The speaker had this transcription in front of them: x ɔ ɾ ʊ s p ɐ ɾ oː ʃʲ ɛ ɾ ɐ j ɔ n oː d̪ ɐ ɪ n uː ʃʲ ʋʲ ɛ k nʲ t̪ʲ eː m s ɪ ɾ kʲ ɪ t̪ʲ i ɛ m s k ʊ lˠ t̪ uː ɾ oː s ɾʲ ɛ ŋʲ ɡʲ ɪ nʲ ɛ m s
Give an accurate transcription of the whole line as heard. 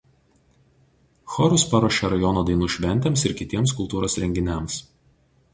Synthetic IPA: x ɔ ɾ ʊ s p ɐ ɾ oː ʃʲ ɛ ɾ ɐ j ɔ n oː d̪ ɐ ɪ n uː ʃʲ ʋʲ ɛ nʲ t̪ʲ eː m s ɪ ɾ kʲ ɪ t̪ʲ i ɛ m s k ʊ lˠ t̪ uː ɾ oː s ɾʲ ɛ ŋʲ ɡʲ ɪ nʲ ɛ m s